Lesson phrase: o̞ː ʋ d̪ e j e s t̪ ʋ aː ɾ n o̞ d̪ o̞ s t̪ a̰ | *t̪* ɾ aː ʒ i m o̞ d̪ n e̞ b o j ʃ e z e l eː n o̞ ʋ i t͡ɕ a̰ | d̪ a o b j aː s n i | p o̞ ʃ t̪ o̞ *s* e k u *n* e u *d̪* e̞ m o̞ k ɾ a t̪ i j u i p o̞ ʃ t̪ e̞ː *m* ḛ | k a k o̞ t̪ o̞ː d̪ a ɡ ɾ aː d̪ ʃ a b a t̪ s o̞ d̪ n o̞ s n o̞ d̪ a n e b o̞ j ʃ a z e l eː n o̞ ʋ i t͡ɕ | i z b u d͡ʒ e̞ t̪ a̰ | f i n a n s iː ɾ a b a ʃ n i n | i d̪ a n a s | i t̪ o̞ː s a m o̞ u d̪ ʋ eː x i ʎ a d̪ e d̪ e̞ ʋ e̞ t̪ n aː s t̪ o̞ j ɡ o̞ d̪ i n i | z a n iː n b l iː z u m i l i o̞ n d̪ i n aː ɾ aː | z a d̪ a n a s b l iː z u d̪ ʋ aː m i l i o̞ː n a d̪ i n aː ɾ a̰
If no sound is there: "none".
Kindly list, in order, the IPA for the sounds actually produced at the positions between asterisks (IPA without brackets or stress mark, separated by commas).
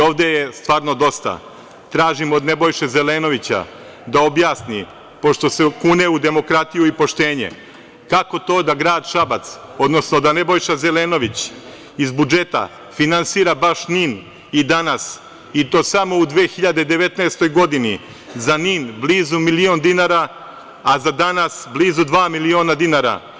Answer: t̪, s, n, d̪, ɲ